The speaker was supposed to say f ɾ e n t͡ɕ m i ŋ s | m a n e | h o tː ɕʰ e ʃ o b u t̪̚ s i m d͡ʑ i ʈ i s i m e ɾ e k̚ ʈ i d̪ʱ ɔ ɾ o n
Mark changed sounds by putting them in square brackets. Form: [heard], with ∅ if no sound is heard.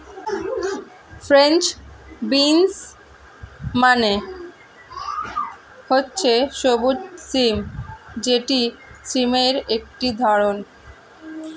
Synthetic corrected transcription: f ɾ e n t͡ɕ [b] i [n] s | m a n e | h o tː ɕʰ e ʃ o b u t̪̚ s i m d͡ʑ [e] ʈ i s i m e ɾ e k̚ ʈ i d̪ʱ ɔ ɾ o n